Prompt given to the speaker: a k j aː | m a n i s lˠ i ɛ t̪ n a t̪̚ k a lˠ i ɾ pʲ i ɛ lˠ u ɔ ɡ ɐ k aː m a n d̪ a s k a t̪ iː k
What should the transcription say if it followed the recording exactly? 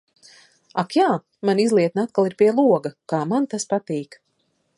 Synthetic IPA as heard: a k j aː | m a n i z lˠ i ɛ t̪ n a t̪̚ k a lˠ i ɾ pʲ i ɛ lˠ u ɔ ɡ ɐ k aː m a n t̪ a s p a t̪ iː k